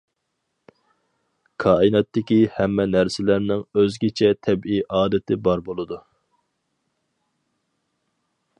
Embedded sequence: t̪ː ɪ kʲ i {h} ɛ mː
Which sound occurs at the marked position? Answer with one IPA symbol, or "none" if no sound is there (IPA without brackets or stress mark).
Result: h